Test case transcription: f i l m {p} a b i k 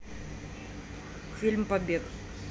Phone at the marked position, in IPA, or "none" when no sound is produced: p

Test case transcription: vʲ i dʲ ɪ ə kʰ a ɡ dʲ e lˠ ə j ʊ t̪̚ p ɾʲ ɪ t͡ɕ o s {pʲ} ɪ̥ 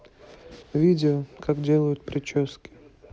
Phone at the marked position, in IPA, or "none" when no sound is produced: kʲ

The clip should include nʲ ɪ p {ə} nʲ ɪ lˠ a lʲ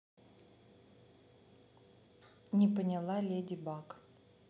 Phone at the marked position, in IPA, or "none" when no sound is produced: ə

